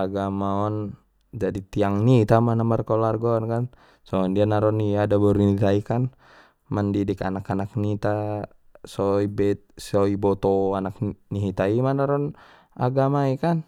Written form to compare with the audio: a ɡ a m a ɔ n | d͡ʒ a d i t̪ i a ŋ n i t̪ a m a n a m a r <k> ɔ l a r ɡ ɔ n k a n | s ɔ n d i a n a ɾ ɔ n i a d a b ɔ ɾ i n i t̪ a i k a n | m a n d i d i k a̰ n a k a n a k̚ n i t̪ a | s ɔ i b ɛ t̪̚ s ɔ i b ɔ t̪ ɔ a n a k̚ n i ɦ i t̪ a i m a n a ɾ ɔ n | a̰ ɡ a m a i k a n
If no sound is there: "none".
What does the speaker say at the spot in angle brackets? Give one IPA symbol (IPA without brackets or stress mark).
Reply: k